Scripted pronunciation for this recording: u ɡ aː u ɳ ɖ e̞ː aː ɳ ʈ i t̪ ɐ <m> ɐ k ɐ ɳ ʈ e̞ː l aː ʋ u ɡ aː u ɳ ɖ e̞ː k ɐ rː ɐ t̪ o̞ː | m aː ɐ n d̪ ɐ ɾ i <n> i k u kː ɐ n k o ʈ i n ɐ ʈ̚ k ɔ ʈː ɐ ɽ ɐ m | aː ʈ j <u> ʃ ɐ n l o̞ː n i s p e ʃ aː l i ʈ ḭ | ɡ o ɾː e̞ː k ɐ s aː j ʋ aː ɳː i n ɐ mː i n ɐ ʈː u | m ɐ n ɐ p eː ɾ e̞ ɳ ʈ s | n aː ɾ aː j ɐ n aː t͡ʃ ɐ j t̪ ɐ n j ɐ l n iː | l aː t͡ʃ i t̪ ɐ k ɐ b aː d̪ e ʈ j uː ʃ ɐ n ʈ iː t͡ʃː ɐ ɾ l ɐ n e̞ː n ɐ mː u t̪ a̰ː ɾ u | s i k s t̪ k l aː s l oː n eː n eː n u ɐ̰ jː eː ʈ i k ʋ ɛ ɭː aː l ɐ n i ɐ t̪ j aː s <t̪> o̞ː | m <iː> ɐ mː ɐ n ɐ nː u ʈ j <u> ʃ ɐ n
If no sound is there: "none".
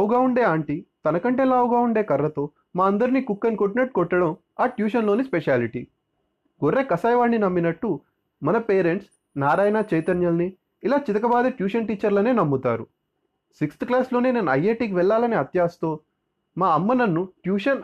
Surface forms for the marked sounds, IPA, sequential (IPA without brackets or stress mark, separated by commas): n, n, uː, t̪, aː, uː